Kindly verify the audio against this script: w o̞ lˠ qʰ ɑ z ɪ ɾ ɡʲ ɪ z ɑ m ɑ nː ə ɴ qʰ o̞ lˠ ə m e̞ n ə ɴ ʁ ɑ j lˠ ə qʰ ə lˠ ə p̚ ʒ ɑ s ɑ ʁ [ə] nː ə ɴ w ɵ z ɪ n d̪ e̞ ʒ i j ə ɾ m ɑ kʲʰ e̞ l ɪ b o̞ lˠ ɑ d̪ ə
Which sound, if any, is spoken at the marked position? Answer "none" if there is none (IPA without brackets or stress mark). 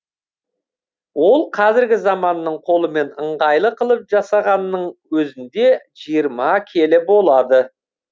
ɑ